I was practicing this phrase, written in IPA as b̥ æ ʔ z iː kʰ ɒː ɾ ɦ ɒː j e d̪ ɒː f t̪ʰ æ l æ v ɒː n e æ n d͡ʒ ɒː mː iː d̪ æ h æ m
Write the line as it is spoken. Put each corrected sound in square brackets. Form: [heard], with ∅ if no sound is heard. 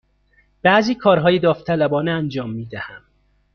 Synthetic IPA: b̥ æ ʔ z iː kʰ ɒː ɾ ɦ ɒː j e d̪ ɒː f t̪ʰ æ l æ [b] ɒː n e æ n d͡ʒ ɒː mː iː d̪ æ h æ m